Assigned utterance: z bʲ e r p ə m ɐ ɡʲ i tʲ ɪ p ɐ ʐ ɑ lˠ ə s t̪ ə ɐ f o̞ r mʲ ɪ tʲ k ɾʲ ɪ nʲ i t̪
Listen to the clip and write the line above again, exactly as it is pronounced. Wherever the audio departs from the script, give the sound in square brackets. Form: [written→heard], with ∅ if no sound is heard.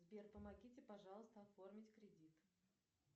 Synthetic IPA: z bʲ e r p ə m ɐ ɡʲ i tʲ ɪ p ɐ ʐ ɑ lˠ ə s t̪ ə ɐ f o̞ r mʲ ɪ tʲ k ɾʲ ɪ [nʲ→dʲ] i t̪